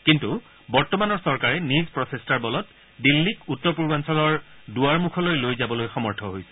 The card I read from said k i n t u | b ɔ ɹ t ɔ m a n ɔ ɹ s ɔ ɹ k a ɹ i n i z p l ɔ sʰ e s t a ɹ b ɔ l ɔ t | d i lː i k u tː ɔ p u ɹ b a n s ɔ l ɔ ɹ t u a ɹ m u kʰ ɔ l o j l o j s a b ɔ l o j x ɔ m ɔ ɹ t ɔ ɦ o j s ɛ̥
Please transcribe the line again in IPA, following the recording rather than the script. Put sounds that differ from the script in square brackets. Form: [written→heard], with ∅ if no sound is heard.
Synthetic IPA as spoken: k i n t u | b ɔ ɹ t ɔ m a n ɔ ɹ s ɔ ɹ k a ɹ [i→ɛ] n i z p [l→ɹ] ɔ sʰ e s t a ɹ b ɔ l ɔ t | d i lː i k u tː ɔ p u ɹ b a n s ɔ l ɔ ɹ [t→d] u a ɹ m u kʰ ɔ l o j l o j [s→z] a b ɔ l o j x ɔ m ɔ ɹ [t→tʰ] ɔ ɦ o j s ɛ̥